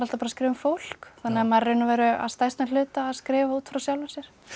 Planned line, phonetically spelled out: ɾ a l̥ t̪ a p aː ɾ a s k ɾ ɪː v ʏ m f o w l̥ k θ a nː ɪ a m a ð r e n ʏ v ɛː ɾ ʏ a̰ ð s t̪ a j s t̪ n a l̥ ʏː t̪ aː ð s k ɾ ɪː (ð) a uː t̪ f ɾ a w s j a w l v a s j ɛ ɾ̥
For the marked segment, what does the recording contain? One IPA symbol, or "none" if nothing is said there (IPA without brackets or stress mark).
v